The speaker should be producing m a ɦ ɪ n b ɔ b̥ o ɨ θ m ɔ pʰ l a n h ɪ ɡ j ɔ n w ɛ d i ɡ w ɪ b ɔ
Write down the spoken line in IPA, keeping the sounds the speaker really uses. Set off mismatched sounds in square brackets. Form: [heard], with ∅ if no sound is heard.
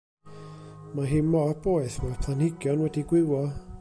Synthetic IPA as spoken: m a ɦ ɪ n [m] ɔ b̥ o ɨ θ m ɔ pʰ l a n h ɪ ɡ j ɔ n w ɛ d i ɡ w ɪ [w] ɔ